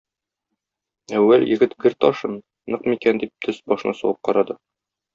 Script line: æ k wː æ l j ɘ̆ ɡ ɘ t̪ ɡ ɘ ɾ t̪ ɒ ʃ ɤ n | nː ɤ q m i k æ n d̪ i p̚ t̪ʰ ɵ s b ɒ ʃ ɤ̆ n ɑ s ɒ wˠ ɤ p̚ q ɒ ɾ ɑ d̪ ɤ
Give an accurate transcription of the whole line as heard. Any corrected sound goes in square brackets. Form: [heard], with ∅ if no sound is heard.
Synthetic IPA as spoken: æ [∅] wː æ l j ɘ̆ ɡ ɘ t̪ ɡ ɘ ɾ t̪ ɒ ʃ ɤ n | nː ɤ q m i k æ n d̪ i p̚ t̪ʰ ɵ s b ɒ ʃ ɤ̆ n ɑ s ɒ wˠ ɤ p̚ q ɒ ɾ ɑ d̪ ɤ